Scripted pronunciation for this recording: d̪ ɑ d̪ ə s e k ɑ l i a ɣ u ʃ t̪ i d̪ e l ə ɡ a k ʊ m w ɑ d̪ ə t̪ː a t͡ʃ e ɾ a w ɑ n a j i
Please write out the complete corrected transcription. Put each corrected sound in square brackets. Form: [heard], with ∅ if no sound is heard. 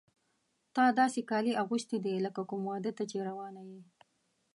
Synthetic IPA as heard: [t̪] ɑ d̪ [ɑ] s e k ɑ l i a ɣ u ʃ t̪ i d̪ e l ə [k] a k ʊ m w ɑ d̪ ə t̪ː a t͡ʃ e ɾ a w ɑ n a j i